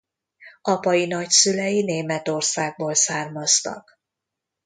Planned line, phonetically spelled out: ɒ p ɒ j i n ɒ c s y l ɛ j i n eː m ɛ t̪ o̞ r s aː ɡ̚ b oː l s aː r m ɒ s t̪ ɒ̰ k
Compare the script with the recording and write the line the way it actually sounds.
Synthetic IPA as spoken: ɒ p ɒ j i n ɒ c s y l ɛ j i n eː m ɛ t̪ o̞ r s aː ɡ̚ b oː l s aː r m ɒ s t̪ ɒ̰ k

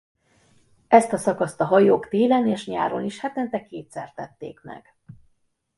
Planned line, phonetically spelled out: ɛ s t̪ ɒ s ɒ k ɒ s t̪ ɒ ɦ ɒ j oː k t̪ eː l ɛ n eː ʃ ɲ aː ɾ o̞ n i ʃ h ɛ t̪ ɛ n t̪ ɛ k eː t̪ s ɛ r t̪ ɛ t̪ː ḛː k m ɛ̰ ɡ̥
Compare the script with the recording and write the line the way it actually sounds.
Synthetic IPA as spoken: ɛ s t̪ ɒ s ɒ k ɒ s t̪ ɒ ɦ ɒ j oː k t̪ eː l ɛ n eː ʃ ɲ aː ɾ o̞ n i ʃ h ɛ t̪ ɛ n t̪ ɛ k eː t̪ s ɛ r t̪ ɛ t̪ː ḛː k m ɛ̰ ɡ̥

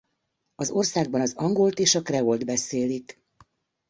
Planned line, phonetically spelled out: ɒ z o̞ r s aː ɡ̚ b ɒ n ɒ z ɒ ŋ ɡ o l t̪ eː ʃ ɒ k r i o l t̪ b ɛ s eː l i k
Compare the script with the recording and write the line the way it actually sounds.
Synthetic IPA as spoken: ɒ z o̞ r s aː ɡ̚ b ɒ n ɒ z ɒ ŋ ɡ o l t̪ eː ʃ ɒ k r ɛ o l d̪ b ɛ s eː l i k

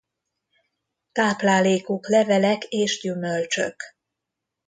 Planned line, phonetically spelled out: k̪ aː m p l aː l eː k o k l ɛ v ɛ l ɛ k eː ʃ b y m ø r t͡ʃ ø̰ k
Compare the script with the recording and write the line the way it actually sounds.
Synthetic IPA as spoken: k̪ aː p l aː l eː k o k l ɛ v ɛ l ɛ k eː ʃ ɟ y m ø l t͡ʃ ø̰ k

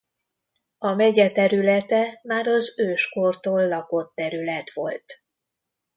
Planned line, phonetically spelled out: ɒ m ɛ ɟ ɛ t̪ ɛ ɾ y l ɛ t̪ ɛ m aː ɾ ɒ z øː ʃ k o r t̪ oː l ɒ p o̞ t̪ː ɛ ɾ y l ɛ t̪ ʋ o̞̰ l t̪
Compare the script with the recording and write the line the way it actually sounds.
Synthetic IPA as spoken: ɒ m ɛ ɟ ɛ t̪ ɛ ɾ y l ɛ t̪ ɛ m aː ɾ ɒ z øː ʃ k o r t̪ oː lː ɒ k o̞ t̪ː ɛ ɾ y l ɛ t̪ ʋ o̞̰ l t̪

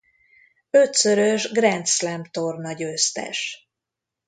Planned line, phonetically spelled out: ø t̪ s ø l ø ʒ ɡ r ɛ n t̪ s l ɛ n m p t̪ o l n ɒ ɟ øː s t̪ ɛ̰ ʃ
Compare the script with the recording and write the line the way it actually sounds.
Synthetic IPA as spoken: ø t̪ s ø ɾ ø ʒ ɡ r ɛ n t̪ s l ɛ m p t̪ o r n ɒ ɟ øː s t̪ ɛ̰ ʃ

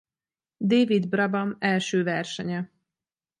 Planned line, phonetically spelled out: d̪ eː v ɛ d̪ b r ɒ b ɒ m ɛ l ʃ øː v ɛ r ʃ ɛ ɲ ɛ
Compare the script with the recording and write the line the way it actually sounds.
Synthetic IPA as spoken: d̪ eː v i d̪ b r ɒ b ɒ m ɛ l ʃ øː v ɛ r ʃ ɛ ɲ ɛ

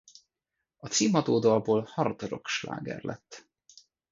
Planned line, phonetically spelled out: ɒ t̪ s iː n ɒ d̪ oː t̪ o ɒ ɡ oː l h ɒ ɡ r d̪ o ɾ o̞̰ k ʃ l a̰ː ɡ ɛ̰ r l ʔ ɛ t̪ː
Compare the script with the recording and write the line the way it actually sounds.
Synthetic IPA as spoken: ɒ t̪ s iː m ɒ d̪ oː d̪ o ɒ b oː l h ɒ r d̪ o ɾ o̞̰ k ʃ l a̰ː ɡ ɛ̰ r l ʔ ɛ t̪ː

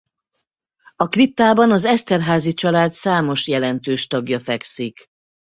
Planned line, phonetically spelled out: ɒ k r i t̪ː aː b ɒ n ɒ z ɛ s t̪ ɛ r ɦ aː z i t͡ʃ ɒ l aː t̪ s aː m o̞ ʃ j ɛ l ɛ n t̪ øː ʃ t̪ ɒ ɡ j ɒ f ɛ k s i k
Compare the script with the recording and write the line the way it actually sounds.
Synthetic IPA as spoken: ɒ k r i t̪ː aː b ɒ n ɒ z ɛ s t̪ ɛ r ɦ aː z i t͡ʃ ɒ l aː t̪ s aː m o̞ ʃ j ɛ l ɛ n t̪ øː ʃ t̪ ɒ ɡ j ɒ f ɛ k s i k

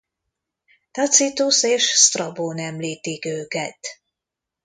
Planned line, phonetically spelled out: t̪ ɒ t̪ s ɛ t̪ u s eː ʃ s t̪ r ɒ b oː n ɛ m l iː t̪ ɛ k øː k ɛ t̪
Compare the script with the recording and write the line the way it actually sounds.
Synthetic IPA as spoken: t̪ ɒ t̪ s i t̪ u s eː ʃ s t̪ r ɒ b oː n ɛ m l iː t̪ i k øː k ɛ t̪

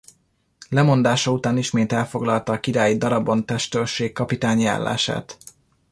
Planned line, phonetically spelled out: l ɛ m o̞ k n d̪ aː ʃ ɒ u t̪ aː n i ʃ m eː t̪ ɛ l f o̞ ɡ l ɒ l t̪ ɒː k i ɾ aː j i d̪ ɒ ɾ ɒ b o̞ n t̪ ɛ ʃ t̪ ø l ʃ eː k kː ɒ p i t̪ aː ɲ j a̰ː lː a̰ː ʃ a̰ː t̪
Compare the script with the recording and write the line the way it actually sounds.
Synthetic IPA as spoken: l ɛ m o̞ n d̪ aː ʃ ɒ u t̪ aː n i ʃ m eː t̪ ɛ l f o̞ ɡ l ɒ l t̪ ɒː k i ɾ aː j i d̪ ɒ ɾ ɒ b o̞ n t̪ ɛ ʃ t̪ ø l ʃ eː k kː ɒ p i t̪ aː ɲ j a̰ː lː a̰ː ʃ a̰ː t̪

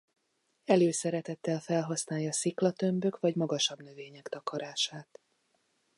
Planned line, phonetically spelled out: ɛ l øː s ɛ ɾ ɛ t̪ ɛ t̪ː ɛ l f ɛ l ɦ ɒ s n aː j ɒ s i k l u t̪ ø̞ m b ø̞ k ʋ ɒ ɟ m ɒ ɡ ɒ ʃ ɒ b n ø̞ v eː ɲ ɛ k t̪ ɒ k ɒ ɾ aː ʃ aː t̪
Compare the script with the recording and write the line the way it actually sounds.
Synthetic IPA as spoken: ɛ l øː s ɛ ɾ ɛ t̪ ɛ t̪ː ɛ l f ɛ l ɦ ɒ s n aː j ɒ s i k l ɒ t̪ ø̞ m b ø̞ k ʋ ɒ ɟ m ɒ ɡ ɒ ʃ ɒ b n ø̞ v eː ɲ ɛ k t̪ ɒ k ɒ ɾ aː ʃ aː t̪

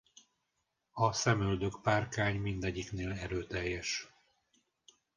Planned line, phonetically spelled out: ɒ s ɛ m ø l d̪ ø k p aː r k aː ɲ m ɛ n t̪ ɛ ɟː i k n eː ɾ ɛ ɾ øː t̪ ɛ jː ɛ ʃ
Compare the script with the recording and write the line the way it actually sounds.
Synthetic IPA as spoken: ɒ s ɛ m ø l d̪ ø k p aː r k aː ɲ m i n d̪ ɛ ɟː i k n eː l ɛ ɾ øː t̪ ɛ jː ɛ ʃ

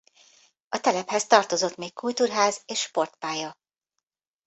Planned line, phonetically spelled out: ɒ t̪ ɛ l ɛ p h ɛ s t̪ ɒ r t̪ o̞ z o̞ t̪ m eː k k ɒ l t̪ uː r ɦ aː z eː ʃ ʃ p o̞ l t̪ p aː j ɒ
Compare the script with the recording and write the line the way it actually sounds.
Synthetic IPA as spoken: ɒ t̪ ɛ l ɛ p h ɛ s t̪ ɒ r t̪ o̞ z o̞ t̪ m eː k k u l t̪ uː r ɦ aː z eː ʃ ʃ p o̞ r t̪ p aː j ɒ

